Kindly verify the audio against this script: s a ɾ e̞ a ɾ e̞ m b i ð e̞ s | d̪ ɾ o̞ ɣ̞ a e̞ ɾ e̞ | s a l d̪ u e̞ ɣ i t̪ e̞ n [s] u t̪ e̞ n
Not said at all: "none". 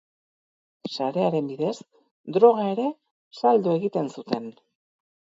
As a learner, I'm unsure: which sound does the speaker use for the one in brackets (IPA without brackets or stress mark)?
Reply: s